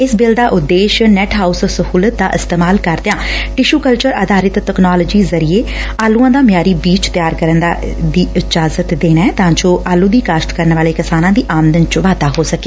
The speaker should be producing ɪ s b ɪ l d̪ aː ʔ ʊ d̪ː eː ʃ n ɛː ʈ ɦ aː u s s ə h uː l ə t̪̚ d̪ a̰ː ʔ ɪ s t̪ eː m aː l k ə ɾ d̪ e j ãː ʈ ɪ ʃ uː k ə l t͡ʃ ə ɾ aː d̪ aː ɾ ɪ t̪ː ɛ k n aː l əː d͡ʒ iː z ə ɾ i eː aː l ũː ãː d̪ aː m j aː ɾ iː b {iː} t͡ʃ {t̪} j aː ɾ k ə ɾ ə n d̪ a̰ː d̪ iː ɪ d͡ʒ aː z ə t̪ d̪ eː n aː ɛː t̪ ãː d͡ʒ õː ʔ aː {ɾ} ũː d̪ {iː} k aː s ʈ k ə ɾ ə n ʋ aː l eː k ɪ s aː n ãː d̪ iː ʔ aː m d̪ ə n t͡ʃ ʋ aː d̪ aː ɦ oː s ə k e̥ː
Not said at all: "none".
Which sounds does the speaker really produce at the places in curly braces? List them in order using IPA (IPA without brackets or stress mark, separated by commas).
iː, t̪, l, iː